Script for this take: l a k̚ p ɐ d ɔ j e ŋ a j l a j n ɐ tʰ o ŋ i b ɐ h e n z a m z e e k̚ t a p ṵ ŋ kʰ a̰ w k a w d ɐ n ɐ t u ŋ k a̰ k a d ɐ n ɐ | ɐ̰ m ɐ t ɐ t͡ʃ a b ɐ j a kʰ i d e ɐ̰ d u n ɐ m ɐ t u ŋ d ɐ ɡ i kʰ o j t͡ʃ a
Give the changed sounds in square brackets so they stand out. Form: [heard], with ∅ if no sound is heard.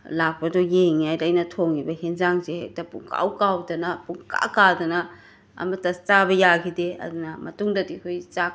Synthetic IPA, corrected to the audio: l a k̚ p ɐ d ɔ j e ŋ a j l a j n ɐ tʰ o ŋ i b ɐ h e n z a [ŋ] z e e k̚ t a p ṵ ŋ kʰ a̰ w k a w d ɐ n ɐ [p] u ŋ k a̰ k a d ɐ n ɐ | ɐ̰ m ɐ t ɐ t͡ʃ a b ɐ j a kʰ i d e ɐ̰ d u n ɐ m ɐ t u ŋ d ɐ [d] i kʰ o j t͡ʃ a